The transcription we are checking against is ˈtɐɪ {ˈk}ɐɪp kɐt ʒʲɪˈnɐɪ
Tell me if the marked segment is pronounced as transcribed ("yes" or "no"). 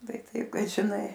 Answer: no